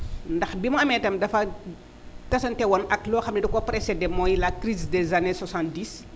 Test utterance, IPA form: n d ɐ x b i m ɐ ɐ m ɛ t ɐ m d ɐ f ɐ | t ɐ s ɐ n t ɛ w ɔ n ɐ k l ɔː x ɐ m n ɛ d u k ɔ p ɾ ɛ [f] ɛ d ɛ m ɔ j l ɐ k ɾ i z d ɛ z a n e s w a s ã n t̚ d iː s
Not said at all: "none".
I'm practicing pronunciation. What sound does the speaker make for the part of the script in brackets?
s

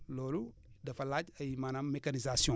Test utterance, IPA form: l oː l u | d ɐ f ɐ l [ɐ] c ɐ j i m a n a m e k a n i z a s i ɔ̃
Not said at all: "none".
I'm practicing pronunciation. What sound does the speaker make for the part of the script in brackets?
a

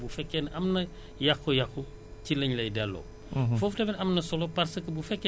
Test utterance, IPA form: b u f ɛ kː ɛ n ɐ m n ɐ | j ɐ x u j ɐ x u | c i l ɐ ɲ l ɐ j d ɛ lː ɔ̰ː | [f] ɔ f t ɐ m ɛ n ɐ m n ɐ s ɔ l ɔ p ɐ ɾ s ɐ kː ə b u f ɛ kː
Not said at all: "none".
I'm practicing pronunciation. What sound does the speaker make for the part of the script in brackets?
f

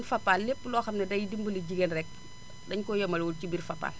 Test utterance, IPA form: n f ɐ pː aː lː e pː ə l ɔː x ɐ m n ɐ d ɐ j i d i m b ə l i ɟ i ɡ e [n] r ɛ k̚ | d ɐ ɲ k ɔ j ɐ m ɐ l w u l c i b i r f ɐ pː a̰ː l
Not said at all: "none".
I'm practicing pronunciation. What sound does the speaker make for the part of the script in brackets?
n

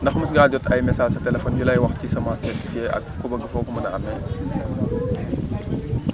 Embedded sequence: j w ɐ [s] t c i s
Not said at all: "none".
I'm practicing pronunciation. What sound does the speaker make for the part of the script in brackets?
x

